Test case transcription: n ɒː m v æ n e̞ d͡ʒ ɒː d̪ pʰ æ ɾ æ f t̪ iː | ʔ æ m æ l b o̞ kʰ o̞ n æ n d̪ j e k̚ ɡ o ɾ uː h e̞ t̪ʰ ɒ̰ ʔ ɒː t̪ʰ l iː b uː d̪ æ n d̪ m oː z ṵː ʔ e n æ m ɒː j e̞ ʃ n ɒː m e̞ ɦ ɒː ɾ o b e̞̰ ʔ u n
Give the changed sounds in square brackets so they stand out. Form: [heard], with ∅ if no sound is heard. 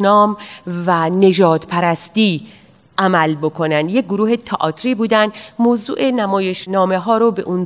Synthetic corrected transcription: n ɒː m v æ n e̞ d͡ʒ ɒː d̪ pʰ æ ɾ æ [s] t̪ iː | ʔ æ m æ l b o̞ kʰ o̞ n æ n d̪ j e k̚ ɡ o ɾ uː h e̞ t̪ʰ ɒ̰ ʔ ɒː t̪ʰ [ɾ] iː b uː d̪ æ n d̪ m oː z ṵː ʔ e n æ m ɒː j e̞ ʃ n ɒː m e̞ ɦ ɒː ɾ o b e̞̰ ʔ u n